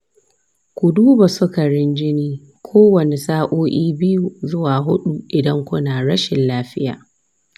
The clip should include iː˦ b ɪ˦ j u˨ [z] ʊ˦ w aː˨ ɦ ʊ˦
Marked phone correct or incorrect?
correct